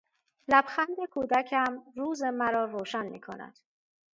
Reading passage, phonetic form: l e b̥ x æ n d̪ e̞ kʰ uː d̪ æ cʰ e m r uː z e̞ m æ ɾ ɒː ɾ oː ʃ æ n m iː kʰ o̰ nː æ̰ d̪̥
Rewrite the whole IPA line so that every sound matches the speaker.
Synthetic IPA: l æ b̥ x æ n d̪ e̞ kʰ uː d̪ æ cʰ æ m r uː z e̞ m æ ɾ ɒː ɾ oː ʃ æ n m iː kʰ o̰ n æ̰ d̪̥